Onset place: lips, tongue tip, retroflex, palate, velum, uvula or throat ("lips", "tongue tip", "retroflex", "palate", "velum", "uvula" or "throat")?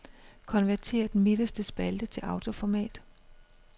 velum